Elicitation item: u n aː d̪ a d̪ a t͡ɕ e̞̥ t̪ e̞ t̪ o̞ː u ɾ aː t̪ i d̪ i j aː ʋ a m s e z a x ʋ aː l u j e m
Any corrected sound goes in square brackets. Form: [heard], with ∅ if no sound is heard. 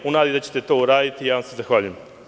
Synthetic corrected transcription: u n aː d̪ [i] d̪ a t͡ɕ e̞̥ t̪ e̞ t̪ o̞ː u ɾ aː [d̪] i [t̪] i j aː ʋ a m s e z a x ʋ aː [ʎ] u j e m